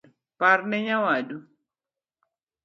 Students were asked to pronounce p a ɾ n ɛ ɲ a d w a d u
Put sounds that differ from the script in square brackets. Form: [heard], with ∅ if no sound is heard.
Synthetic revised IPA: p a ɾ n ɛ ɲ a [∅] w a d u